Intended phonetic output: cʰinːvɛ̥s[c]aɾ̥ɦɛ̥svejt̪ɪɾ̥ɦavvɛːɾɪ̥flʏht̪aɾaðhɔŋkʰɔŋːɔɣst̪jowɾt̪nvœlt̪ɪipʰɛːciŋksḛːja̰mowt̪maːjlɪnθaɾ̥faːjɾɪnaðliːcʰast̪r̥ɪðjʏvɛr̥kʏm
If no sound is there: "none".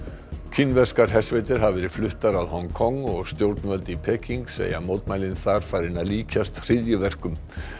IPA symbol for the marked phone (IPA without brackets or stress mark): k